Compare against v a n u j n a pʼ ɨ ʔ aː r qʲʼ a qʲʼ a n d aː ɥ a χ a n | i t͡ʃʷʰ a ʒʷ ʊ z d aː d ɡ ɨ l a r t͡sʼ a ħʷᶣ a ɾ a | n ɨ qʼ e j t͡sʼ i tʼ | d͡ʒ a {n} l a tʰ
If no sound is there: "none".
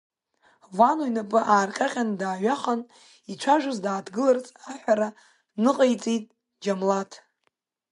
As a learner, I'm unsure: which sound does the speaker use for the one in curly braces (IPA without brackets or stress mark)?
m